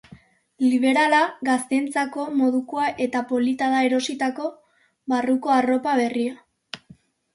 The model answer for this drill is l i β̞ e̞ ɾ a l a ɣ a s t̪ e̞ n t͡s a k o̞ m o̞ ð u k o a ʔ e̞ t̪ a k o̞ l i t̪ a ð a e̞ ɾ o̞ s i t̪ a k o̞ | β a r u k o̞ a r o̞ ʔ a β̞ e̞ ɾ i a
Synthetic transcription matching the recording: l i β̞ e̞ ɾ a l a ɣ a s t̪ e̞ n t͡s a k o̞ m o̞ ð u k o a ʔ e̞ t̪ a p o̞ l i t̪ a ð a e̞ ɾ o̞ s i t̪ a k o̞ | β a r u k o̞ a r o̞ p a β̞ e̞ r i a